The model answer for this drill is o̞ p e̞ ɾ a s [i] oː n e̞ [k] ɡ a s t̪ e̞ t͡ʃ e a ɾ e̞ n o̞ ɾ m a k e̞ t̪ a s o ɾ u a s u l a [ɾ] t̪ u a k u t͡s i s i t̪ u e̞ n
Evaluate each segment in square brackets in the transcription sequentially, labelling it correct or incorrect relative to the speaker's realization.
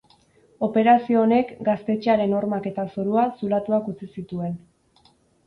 correct, correct, incorrect

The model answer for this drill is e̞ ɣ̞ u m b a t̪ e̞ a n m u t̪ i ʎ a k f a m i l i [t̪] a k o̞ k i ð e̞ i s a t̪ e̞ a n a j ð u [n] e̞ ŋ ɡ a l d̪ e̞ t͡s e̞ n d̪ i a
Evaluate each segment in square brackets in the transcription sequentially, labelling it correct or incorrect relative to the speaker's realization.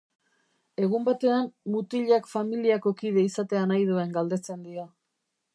incorrect, incorrect

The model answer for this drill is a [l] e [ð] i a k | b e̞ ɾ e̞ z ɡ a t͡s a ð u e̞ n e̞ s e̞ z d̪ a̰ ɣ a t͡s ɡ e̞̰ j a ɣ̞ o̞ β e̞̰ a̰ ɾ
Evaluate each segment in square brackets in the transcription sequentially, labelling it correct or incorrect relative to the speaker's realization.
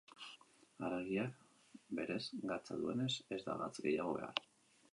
incorrect, incorrect

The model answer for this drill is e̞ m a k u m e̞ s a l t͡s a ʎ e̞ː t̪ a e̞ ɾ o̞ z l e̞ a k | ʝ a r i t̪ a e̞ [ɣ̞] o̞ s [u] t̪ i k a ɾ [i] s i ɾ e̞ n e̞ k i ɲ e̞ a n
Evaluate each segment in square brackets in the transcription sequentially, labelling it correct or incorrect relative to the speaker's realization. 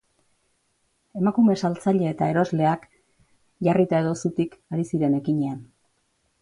incorrect, correct, correct

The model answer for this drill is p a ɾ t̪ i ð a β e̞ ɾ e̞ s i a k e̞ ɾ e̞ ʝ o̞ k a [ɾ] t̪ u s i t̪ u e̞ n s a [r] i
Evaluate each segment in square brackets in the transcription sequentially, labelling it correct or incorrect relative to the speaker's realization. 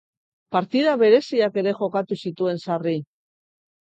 incorrect, correct

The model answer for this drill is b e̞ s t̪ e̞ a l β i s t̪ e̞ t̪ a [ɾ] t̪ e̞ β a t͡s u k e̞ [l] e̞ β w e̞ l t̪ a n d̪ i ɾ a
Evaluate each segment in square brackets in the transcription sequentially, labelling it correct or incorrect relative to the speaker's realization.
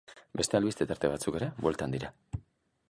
correct, incorrect

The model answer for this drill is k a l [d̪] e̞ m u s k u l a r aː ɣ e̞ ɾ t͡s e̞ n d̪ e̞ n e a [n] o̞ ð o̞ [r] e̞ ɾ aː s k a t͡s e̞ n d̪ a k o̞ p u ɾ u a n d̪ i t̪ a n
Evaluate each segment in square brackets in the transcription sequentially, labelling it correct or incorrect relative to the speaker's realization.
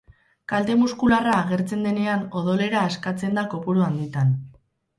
incorrect, correct, incorrect

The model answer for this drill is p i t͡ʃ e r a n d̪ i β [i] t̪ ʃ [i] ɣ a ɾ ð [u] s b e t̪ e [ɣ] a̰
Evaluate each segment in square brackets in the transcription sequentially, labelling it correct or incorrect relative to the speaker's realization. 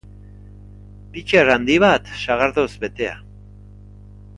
incorrect, incorrect, incorrect, incorrect

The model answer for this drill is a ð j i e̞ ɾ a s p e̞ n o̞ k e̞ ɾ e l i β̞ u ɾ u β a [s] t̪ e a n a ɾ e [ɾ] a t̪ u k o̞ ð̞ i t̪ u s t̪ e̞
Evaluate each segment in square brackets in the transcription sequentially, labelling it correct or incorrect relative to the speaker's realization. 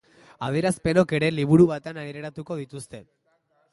incorrect, correct

